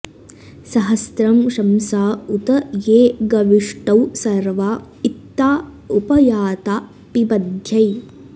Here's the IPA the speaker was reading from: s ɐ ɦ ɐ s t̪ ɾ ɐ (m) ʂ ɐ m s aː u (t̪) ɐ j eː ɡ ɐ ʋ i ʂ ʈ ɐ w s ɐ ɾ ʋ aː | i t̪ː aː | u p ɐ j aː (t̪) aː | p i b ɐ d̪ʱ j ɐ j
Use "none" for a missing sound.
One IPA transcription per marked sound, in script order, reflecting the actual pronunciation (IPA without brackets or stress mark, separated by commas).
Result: m, t̪, t̪